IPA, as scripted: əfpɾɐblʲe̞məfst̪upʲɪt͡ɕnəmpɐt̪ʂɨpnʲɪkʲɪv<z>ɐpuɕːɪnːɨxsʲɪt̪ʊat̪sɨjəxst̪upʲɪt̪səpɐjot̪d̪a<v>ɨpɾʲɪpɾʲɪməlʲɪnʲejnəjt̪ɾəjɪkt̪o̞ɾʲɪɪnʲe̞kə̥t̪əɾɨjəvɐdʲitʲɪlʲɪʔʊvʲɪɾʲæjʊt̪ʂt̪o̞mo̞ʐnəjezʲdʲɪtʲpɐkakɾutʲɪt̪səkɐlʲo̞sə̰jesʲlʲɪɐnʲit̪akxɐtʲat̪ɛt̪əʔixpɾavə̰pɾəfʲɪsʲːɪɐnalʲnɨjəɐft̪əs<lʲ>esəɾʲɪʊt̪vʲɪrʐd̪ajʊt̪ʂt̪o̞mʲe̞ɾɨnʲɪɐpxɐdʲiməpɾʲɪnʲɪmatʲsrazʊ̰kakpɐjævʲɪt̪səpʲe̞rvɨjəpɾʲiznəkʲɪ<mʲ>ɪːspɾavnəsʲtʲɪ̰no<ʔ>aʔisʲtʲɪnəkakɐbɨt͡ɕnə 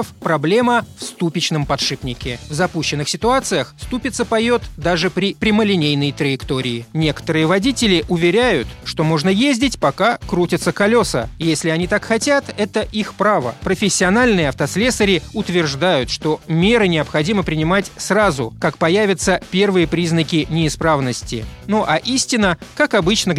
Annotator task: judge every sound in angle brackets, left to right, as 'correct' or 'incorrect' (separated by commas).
correct, incorrect, correct, incorrect, correct